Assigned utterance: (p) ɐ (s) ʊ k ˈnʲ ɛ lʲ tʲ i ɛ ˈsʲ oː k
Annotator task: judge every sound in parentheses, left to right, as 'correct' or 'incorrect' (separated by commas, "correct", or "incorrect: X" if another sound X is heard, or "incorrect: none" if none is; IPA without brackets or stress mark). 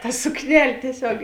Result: incorrect: t, correct